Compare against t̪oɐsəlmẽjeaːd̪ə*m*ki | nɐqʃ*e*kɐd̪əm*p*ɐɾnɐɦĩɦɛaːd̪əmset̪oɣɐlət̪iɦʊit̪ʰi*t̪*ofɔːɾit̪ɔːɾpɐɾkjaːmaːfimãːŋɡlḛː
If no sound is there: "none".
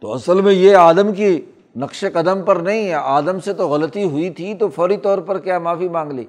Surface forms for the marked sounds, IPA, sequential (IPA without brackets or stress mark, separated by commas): m, e, p, t̪